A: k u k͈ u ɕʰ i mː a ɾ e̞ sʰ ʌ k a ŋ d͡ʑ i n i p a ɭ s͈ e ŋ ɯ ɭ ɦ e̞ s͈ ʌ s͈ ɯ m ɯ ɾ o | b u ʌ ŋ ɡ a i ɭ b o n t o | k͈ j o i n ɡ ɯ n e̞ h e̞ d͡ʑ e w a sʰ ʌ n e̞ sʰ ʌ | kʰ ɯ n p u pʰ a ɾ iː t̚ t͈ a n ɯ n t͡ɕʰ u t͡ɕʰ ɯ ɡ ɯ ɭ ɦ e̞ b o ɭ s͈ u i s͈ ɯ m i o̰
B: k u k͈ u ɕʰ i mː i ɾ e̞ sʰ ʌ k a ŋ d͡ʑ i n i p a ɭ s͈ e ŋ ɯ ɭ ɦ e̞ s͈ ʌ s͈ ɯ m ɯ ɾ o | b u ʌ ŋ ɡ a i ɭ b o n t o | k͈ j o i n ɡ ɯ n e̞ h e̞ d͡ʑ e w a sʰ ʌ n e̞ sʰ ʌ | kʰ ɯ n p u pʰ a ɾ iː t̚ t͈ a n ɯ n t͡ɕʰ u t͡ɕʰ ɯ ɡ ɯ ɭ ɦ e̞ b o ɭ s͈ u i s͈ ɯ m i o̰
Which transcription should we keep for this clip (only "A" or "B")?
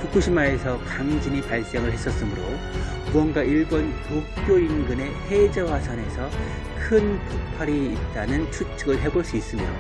A